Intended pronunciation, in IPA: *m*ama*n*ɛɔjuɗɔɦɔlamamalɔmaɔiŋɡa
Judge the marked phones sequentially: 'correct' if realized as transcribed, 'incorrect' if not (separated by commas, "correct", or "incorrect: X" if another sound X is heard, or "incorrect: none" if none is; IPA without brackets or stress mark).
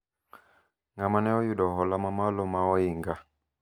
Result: incorrect: ŋ, correct